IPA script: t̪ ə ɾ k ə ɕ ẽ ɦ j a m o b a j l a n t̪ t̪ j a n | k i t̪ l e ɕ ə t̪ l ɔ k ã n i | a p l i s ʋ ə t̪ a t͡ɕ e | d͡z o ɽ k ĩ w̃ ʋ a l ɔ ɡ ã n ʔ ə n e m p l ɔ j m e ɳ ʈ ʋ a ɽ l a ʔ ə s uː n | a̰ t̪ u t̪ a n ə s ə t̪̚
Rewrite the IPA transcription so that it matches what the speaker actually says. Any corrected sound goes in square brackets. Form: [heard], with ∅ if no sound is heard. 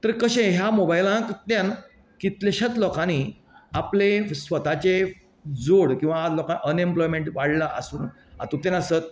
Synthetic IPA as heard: t̪ ə ɾ k ə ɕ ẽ ɦ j a m o b a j l a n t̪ t̪ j a n | k i t̪ l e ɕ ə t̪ l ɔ k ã n i | a p l [e] s ʋ ə t̪ a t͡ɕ e | d͡z o ɽ k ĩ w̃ ʋ a l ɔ [k] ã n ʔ ə n e m p l ɔ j m e ɳ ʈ ʋ a ɽ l a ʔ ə s uː n | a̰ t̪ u t̪ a n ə s ə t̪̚